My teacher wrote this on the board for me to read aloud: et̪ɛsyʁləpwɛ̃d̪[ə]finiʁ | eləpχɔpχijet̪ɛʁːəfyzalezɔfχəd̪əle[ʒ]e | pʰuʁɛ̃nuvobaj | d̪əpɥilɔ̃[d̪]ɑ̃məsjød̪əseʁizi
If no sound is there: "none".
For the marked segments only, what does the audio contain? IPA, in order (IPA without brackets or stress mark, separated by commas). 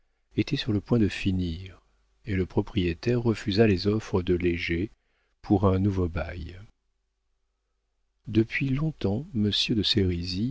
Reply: ə, ʒ, t̪